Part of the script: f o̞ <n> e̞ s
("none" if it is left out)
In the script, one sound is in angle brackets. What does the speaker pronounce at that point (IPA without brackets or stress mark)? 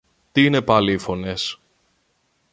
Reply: n